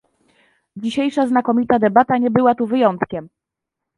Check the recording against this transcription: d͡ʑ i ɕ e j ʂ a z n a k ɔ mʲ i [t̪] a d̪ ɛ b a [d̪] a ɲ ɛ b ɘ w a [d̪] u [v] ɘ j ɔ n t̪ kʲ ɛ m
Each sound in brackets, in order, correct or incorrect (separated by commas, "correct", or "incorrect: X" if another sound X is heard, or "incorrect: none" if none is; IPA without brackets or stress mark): correct, incorrect: t̪, incorrect: t̪, correct